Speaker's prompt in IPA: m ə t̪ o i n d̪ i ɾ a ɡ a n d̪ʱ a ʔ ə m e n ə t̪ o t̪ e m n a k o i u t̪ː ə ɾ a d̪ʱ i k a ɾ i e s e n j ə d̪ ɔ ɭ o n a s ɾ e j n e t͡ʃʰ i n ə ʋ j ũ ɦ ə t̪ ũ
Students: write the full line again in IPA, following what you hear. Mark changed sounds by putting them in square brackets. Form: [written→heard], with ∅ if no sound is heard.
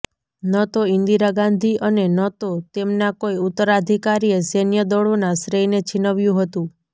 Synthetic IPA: [m→n] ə t̪ o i n d̪ i ɾ a ɡ a n d̪ʱ [a→i] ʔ ə [m→n] e n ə t̪ o t̪ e m n a k o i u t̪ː ə ɾ a d̪ʱ i k a ɾ i e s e n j ə d̪ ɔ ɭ o n a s ɾ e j n e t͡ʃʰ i n ə ʋ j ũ ɦ ə t̪ ũ

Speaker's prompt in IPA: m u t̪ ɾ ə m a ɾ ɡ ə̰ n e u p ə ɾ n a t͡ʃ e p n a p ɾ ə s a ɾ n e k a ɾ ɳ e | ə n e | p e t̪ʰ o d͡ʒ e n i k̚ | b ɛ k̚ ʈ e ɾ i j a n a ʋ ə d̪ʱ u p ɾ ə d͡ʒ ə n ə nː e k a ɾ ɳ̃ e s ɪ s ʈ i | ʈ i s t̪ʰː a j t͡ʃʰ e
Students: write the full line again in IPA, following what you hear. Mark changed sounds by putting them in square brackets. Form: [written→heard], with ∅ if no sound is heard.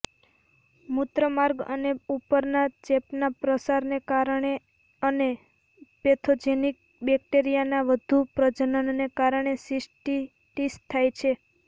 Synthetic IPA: m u t̪ ɾ ə m a ɾ ɡ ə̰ n e u p ə ɾ n a t͡ʃ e p n a p ɾ ə s a ɾ n e k a ɾ ɳ e | ə n e | p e t̪ʰ o d͡ʒ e n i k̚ | b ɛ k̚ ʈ e ɾ i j a n a ʋ ə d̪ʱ u p ɾ ə d͡ʒ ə n ə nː e k a ɾ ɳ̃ e s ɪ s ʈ i | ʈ i s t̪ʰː a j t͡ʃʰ e

